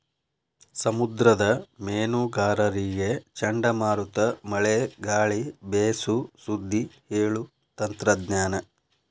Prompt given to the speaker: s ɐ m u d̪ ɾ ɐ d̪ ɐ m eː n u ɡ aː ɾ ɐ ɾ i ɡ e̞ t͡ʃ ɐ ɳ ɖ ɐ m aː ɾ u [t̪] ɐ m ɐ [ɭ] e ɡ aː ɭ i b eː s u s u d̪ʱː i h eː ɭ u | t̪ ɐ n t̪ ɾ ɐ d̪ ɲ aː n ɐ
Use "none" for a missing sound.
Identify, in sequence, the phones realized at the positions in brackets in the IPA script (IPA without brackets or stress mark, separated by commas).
t̪, ɭ